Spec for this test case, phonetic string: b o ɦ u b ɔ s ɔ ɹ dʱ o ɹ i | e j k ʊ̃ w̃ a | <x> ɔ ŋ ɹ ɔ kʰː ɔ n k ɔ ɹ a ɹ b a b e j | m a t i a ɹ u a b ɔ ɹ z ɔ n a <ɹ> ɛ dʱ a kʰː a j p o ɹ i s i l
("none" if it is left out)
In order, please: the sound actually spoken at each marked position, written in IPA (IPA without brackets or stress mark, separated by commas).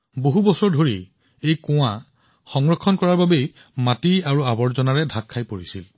x, ɹ